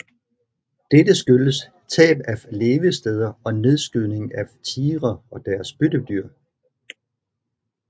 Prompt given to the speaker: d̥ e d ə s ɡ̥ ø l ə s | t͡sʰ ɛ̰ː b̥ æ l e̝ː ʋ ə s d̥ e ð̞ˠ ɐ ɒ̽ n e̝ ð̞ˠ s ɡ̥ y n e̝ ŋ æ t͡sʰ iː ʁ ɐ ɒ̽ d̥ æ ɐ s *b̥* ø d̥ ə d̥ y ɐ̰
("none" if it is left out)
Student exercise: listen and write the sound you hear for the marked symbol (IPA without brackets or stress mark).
b̥